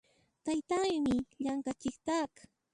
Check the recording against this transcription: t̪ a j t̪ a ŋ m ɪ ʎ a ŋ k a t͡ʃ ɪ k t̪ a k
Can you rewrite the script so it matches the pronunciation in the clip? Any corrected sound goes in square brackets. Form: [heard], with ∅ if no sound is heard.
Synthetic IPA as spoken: t̪ a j t̪ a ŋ m ɪ ʎ a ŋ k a t͡ʃ ɪ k t̪ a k